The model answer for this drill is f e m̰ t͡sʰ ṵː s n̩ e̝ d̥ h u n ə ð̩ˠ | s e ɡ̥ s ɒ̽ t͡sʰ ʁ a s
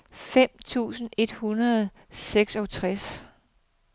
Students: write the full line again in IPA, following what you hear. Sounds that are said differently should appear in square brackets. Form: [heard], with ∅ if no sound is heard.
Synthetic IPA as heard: f e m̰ t͡sʰ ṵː s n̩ e̝ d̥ h u n [ɐ] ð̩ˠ | s e ɡ̥ s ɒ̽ t͡sʰ ʁ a s

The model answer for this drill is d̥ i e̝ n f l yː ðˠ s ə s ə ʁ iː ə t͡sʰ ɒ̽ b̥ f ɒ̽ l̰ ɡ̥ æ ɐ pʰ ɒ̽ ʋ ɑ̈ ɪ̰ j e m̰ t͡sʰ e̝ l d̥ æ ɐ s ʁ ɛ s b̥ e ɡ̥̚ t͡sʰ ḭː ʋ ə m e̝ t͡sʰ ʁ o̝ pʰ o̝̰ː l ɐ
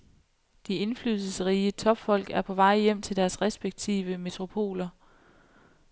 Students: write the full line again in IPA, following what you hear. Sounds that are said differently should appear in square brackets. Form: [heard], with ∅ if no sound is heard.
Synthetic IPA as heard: d̥ i e̝ n f l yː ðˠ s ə s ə ʁ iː ə t͡sʰ ɒ̽ b̥ f ɒ̽ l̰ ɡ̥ æ ɐ pʰ ɒ̽ ʋ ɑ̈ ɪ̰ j e m̰ t͡sʰ e̝ l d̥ æ ɐ s ʁ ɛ s b̥ e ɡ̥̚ t͡sʰ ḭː ʋ ə m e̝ t͡sʰ ʁ o̝ pʰ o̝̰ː l ɐ

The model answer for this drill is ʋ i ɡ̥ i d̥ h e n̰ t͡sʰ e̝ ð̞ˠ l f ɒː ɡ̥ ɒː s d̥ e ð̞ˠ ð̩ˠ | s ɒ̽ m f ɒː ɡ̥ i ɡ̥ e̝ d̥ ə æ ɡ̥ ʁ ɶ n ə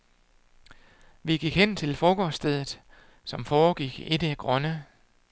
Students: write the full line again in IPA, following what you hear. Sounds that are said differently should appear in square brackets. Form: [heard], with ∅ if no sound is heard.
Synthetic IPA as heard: ʋ i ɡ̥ i [ɡ̥] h e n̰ t͡sʰ e̝ [∅] l f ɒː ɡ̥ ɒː s d̥ e ð̞ˠ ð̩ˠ | s ɒ̽ m f ɒː ɡ̥ i ɡ̥ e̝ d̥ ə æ ɡ̥ ʁ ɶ n ə

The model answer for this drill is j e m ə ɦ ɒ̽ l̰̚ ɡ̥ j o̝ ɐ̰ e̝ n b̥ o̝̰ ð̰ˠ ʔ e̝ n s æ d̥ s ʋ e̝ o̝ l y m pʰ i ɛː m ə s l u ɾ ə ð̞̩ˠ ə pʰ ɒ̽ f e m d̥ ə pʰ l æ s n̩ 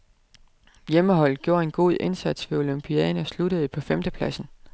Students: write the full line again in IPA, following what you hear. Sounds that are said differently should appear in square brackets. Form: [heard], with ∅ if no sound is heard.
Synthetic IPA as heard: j e m ə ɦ ɒ̽ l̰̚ ɡ̥ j o̝ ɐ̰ e̝ n [ɡ̥] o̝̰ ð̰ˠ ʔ e̝ n s æ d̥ s ʋ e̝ o̝ l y m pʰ i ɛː [n] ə s l u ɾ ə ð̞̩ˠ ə pʰ ɒ̽ f e m d̥ ə pʰ l æ s n̩

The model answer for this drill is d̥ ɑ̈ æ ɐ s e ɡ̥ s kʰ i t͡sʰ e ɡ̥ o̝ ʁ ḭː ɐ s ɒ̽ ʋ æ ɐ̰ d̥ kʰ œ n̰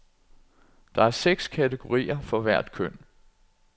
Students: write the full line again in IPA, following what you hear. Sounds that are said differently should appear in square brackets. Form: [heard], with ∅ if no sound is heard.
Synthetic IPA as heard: d̥ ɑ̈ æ ɐ s e ɡ̥ s kʰ [æ] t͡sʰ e ɡ̥ o̝ ʁ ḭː ɐ [f] ɒ̽ ʋ æ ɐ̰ d̥ kʰ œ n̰

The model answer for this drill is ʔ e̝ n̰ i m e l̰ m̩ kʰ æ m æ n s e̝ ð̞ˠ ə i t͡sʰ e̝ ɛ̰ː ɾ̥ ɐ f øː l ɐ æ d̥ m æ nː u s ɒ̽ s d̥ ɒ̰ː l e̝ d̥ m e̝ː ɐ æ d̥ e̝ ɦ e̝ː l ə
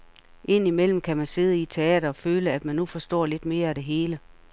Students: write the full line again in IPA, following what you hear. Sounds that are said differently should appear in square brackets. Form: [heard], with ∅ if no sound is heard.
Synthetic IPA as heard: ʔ e̝ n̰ i m e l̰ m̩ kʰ æ m æ n s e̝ ð̞ˠ ə i t͡sʰ e̝ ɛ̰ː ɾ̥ ɐ f øː l [ə] æ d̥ m æ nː u [f] ɒ̽ s d̥ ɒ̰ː l e̝ d̥ m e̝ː ɐ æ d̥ e̝ ɦ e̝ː l ə

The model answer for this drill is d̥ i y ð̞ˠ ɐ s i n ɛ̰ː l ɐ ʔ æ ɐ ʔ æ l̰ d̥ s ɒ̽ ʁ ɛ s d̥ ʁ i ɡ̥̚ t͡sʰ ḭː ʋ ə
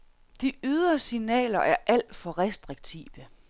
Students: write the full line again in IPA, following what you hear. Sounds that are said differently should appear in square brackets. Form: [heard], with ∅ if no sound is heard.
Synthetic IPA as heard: d̥ i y ð̞ˠ ɐ s i n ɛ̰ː l ɐ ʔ æ ɐ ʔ æ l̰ d̥ [f] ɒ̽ ʁ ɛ s d̥ ʁ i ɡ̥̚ t͡sʰ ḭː ʋ ə

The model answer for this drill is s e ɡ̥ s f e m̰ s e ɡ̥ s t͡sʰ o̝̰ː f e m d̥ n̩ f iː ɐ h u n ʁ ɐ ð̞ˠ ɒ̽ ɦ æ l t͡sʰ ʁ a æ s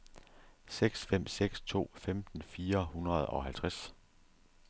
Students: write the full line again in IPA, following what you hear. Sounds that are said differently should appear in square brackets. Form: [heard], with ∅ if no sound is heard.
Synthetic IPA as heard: s e ɡ̥ s f e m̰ s e ɡ̥ s t͡sʰ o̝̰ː f e m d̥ n̩ f iː ɐ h u n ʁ ɐ ð̞ˠ ɒ̽ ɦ æ l t͡sʰ ʁ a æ s

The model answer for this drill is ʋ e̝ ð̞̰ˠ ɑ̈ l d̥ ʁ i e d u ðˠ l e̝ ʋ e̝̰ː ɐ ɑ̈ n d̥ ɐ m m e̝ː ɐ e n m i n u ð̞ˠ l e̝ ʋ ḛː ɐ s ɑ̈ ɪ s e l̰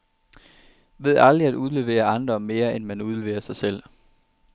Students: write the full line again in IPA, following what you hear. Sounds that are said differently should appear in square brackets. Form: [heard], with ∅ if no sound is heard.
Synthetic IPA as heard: ʋ e̝ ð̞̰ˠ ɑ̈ l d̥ ʁ i [æ] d u ðˠ l e̝ ʋ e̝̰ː ɐ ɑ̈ n d̥ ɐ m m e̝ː ɐ e n m [æ] n u ð̞ˠ l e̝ ʋ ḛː ɐ s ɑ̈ ɪ s e l̰

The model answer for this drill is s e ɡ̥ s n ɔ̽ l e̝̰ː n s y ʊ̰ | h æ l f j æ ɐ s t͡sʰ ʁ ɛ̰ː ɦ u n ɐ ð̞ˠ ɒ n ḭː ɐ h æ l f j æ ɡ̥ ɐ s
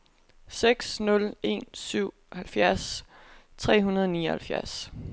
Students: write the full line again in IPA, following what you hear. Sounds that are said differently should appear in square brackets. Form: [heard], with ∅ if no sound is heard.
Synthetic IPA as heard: s e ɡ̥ s n ɔ̽ l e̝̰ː n s y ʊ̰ | h æ l f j æ ɐ s t͡sʰ ʁ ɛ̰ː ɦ u n ɐ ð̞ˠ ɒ n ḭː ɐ h æ l f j æ [∅] ɐ s

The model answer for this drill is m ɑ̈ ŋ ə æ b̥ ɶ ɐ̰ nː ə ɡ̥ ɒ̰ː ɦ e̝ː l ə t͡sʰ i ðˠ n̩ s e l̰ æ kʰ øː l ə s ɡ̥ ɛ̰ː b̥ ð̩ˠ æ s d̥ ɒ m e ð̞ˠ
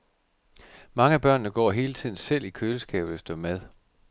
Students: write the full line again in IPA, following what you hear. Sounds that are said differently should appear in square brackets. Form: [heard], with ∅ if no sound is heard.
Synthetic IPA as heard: m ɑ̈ ŋ ə æ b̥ ɶ ɐ̰ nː ə ɡ̥ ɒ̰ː ɦ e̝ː l ə t͡sʰ i ðˠ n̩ s e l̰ [i] kʰ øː l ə s ɡ̥ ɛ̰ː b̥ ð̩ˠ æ s d̥ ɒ m [æ] ð̞ˠ

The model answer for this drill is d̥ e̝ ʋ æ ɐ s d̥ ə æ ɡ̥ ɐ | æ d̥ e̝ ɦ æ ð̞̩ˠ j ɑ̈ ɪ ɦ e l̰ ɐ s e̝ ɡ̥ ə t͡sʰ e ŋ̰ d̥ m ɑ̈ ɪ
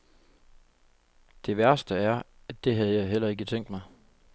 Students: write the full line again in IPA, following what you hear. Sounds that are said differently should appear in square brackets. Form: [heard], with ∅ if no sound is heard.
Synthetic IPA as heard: d̥ e̝ ʋ æ ɐ s d̥ ə æ [∅] ɐ | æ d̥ e̝ ɦ æ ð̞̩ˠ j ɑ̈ ɪ ɦ e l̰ ɐ [∅] e̝ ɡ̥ ə t͡sʰ e ŋ̰ d̥ m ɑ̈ ɪ

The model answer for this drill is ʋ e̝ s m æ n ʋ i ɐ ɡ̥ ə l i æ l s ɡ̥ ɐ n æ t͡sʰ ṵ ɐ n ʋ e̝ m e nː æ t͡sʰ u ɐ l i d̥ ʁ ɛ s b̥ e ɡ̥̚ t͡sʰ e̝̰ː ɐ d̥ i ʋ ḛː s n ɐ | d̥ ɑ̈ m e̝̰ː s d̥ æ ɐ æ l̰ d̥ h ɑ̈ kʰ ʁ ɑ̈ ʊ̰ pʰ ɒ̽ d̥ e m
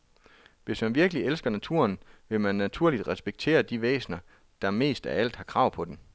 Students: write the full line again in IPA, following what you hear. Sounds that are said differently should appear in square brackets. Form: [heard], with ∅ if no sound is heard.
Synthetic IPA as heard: ʋ e̝ s m æ n ʋ i ɐ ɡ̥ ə l i [e] l s ɡ̥ ɐ n æ t͡sʰ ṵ ɐ n ʋ e̝ m [æ] nː æ t͡sʰ u ɐ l i d̥ ʁ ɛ s b̥ e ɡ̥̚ t͡sʰ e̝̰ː ɐ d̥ i ʋ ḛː s n ɐ | d̥ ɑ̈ m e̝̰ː s d̥ æ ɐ æ l̰ d̥ h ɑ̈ kʰ ʁ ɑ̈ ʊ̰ pʰ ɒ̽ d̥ e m

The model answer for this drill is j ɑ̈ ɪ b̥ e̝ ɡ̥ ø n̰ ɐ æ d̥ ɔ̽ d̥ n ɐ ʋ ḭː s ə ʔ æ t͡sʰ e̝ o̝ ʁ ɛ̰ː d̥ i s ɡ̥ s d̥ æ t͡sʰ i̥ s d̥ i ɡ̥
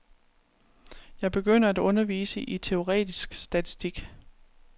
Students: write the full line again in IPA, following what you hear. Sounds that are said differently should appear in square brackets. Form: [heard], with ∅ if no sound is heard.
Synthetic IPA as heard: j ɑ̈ ɪ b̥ e̝ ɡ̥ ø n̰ ɐ æ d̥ ɔ̽ [∅] n ɐ ʋ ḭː s ə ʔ [i] t͡sʰ e̝ o̝ ʁ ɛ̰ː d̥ i s ɡ̥ s d̥ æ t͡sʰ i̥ s d̥ i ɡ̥

